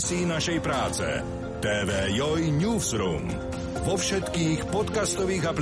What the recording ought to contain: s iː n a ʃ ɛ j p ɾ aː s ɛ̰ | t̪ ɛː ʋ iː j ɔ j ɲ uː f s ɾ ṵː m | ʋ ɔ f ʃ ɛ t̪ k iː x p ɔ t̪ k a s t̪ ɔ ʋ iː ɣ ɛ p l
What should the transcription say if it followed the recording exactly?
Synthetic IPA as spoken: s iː n a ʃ ɛ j p ɾ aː t͡s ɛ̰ | t̪ ɛː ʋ ɛː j ɔ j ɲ uː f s ɾ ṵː m | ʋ ɔ f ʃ ɛ t̪ k iː x p ɔ t̪ k a s t̪ ɔ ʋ iː ɣ a p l